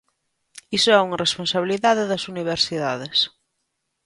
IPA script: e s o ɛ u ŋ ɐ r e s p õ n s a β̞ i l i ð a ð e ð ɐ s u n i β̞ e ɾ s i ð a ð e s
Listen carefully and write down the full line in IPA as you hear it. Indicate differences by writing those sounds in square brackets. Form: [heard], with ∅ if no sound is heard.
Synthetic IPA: [i] s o ɛ u ŋ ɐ r e s p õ n s a β̞ i l i ð a ð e ð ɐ s u n i β̞ e ɾ s i ð a ð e s